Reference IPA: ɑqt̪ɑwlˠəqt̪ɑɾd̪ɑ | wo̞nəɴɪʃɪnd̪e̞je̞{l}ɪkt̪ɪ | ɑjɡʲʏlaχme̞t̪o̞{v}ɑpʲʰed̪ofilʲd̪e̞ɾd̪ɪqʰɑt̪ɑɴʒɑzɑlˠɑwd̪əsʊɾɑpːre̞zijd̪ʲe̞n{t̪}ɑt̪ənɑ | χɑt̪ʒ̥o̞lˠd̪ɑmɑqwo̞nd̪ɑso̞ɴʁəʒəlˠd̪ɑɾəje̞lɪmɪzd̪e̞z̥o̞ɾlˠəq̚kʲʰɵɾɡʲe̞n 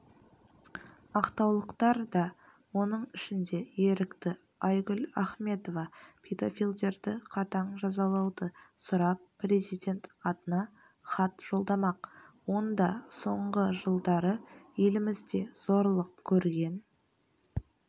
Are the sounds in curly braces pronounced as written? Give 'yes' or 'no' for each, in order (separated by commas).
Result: no, yes, yes